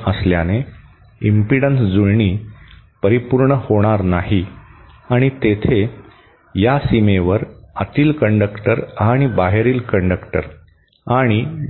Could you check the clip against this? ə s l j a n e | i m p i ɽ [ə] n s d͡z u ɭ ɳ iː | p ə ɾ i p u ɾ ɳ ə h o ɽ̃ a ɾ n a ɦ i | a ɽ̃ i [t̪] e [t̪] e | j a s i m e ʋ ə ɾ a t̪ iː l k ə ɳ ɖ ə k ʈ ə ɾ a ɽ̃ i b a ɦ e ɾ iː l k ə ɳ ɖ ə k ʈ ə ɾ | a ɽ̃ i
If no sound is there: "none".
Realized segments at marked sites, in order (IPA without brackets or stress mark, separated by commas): ə, t̪, t̪ʰ